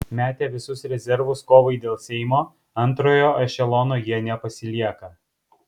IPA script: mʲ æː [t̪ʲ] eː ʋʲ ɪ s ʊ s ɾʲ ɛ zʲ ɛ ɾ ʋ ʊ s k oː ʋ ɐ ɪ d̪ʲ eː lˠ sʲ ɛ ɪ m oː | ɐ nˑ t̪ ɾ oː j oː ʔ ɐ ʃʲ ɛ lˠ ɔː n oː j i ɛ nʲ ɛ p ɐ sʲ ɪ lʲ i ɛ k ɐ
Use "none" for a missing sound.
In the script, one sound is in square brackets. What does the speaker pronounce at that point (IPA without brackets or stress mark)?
t̪ʲ